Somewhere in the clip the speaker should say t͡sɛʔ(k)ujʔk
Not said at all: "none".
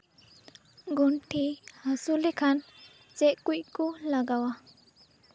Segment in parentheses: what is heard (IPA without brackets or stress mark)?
k